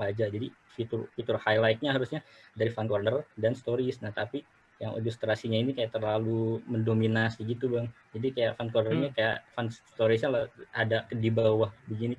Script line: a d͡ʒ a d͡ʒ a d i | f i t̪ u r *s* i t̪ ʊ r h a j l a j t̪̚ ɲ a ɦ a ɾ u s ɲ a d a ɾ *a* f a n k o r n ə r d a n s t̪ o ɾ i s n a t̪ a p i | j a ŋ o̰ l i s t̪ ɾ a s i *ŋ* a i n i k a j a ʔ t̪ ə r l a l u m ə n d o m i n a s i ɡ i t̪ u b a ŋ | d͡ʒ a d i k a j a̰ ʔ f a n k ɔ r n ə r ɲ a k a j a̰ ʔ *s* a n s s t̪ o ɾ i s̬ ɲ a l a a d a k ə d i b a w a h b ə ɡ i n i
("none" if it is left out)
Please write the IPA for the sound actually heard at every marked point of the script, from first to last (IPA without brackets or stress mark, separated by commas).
f, i, ɲ, f